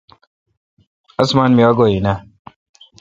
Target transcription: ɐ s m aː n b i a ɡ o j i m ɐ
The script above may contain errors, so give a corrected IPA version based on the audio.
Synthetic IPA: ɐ s m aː n m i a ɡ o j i n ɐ